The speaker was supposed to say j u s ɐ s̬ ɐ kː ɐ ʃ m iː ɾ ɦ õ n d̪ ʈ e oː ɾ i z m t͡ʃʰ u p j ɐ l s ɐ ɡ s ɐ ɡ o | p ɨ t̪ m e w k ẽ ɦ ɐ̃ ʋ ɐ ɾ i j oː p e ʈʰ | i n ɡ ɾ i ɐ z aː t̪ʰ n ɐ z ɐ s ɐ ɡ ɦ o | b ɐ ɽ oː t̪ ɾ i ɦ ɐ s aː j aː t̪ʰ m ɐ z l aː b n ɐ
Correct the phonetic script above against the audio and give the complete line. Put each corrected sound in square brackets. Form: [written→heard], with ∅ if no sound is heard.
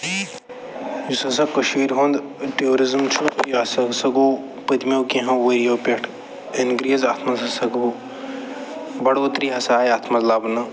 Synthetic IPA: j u s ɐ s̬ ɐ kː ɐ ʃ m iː ɾ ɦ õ n d̪ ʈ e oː ɾ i z m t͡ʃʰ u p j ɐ [l→∅] s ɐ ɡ s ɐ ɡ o | p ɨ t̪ m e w k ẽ ɦ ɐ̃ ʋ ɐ ɾ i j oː p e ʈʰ | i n ɡ ɾ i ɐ z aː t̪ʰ [n→m] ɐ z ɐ s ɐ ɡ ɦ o | b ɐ ɽ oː t̪ ɾ i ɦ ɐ s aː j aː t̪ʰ m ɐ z l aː b n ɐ

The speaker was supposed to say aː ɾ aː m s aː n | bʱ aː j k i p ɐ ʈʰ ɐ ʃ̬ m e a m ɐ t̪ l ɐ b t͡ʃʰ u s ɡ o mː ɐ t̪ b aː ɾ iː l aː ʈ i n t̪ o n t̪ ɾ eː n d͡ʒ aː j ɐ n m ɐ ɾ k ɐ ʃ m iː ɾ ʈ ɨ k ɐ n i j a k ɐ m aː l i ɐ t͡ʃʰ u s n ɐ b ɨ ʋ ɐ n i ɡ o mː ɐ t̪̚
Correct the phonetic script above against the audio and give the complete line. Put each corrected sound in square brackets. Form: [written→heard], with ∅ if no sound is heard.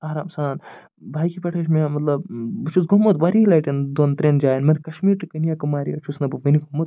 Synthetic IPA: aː ɾ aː m s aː n | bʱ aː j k i p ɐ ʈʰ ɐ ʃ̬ m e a m ɐ t̪ l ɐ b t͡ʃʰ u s ɡ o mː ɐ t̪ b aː ɾ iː l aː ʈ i n [t̪→d̪] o n t̪ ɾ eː n d͡ʒ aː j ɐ n m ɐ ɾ k ɐ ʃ m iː ɾ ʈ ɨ k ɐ n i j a k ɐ m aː [l→ɾ] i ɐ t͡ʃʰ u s n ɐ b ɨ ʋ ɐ n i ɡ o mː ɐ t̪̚

